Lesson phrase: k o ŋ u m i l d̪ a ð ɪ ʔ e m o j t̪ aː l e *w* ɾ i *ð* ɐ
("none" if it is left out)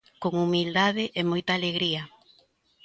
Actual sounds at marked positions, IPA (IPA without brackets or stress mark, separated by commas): ɣ, none